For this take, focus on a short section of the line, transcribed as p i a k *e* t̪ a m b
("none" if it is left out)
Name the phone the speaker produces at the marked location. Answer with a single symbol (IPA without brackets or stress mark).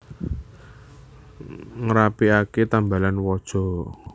e